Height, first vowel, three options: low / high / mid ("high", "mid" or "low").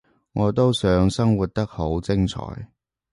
mid